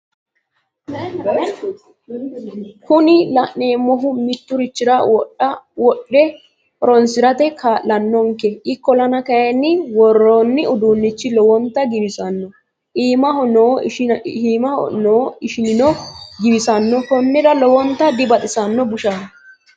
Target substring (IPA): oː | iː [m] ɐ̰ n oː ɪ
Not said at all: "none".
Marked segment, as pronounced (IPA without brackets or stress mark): m